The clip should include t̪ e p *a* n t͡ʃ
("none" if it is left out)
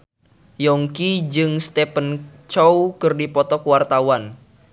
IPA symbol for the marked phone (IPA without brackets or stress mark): ə